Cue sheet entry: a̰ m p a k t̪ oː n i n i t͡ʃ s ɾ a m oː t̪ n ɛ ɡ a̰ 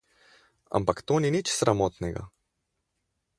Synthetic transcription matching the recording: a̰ m p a k t̪ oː n i n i t͡ʃ s ɾ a m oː t̪ n ɛ ɡ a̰